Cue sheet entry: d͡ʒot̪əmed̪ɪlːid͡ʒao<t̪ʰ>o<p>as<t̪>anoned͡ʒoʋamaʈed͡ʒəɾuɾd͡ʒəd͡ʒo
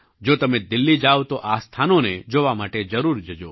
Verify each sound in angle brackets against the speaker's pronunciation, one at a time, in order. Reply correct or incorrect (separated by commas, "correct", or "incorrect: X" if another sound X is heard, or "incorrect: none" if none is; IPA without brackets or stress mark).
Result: incorrect: t̪, incorrect: ʔ, incorrect: t̪ʰ